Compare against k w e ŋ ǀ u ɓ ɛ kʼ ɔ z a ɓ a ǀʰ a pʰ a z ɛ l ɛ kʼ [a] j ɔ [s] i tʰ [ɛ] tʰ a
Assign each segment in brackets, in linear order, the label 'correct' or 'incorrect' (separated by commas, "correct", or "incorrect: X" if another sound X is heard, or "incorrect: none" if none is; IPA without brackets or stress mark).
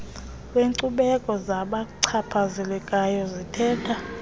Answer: correct, incorrect: z, incorrect: ɛː